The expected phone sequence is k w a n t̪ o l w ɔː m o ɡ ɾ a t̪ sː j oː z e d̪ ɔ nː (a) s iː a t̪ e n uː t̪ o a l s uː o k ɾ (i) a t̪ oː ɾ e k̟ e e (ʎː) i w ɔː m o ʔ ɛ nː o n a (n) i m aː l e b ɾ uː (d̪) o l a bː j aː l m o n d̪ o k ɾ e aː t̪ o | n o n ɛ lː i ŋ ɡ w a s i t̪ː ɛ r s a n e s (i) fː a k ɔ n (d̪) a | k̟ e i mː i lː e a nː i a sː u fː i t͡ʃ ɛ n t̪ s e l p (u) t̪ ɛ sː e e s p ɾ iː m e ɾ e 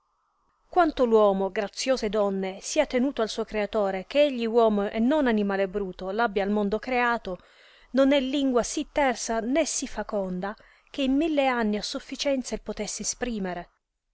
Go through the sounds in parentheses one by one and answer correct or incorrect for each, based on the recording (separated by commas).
incorrect, incorrect, correct, correct, incorrect, correct, correct, incorrect